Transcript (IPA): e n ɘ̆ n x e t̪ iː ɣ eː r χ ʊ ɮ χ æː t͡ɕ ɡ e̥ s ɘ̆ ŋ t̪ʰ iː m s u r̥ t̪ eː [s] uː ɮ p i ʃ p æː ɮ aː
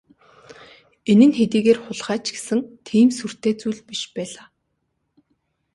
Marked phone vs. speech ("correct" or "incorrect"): incorrect